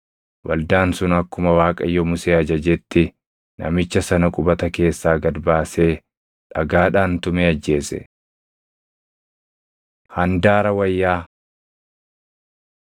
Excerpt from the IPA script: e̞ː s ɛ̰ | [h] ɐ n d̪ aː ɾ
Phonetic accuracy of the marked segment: correct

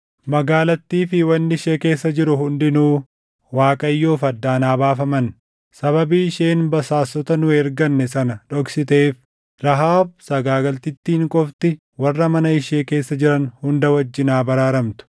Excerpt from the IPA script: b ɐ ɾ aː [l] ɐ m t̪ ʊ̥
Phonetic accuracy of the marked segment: incorrect: ɾ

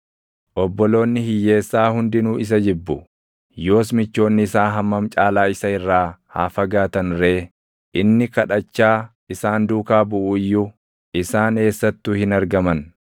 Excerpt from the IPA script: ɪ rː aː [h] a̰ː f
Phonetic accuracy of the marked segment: correct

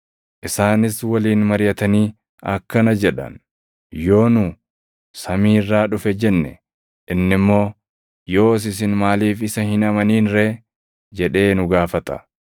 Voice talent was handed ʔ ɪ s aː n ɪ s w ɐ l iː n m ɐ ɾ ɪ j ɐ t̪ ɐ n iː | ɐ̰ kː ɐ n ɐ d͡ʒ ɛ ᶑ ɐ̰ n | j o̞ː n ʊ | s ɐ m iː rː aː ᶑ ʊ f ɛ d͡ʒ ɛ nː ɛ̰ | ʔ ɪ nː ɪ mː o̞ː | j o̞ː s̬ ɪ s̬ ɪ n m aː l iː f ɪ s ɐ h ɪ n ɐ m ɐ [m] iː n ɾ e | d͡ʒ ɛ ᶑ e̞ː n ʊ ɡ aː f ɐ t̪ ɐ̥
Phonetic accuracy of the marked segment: incorrect: n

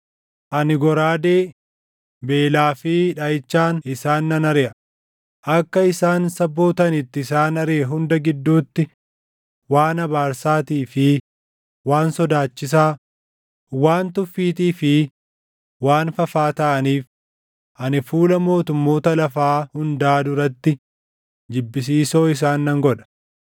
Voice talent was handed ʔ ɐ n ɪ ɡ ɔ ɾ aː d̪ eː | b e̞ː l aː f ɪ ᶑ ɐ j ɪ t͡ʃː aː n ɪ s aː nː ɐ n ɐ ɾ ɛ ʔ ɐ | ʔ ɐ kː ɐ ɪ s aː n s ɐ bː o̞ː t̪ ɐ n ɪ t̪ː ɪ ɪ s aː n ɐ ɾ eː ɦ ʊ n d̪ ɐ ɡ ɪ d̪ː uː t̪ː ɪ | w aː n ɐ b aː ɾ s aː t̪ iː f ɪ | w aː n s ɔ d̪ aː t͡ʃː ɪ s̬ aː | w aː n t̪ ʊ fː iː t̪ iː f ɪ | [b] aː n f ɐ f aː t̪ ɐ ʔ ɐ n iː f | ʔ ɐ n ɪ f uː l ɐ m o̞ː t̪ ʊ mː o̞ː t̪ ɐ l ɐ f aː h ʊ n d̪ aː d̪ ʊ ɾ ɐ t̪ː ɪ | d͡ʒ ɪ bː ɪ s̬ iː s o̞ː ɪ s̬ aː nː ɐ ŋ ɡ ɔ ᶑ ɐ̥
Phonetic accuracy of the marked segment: incorrect: w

